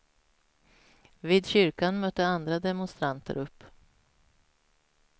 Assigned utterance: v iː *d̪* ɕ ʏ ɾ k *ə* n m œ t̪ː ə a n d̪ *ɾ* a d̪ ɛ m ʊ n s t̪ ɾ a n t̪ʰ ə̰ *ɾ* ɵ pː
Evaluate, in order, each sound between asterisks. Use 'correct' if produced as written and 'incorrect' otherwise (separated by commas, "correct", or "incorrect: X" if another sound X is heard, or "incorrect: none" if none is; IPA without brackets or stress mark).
correct, incorrect: a, correct, correct